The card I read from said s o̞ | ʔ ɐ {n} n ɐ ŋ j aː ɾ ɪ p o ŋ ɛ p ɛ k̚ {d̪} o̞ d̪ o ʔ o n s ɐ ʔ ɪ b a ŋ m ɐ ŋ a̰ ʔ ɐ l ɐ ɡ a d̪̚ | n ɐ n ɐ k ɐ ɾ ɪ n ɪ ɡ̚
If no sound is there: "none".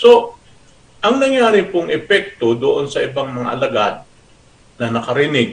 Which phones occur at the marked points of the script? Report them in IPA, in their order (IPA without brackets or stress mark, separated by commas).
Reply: ŋ, t̪